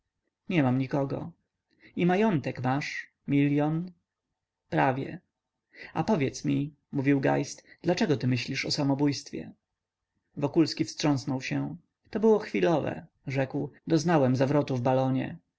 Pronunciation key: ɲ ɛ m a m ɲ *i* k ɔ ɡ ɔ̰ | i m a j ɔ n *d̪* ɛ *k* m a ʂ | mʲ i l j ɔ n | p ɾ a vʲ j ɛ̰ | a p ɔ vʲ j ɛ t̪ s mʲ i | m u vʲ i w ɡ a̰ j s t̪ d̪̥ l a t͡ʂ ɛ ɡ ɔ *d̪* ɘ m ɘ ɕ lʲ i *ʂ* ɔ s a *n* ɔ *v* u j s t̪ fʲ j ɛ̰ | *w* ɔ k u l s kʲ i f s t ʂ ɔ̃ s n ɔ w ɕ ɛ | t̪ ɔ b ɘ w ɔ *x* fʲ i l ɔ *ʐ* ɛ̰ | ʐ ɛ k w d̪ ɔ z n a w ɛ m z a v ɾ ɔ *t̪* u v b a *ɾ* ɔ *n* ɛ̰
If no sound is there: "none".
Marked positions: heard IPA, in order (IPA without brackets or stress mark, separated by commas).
i, t̪, k, t̪, ʂ, m, b, v, x, v, t̪, l, ɲ